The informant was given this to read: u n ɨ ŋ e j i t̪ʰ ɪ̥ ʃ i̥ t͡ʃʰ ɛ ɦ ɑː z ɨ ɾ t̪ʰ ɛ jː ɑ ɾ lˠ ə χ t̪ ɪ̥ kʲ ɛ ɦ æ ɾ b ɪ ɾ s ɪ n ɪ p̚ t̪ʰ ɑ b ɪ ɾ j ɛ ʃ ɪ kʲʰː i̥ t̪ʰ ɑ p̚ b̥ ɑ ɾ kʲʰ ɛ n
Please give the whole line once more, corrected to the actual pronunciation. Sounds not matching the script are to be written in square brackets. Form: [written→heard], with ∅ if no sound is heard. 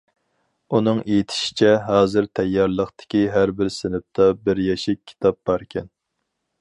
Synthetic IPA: u n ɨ ŋ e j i t̪ʰ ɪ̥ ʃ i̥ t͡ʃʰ ɛ ɦ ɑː z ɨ ɾ t̪ʰ ɛ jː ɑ ɾ lˠ ə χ t̪ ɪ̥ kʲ [ɛ→i] ɦ æ ɾ b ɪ ɾ s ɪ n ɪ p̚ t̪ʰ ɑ b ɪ ɾ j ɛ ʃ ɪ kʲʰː i̥ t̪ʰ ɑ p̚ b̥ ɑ ɾ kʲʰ ɛ n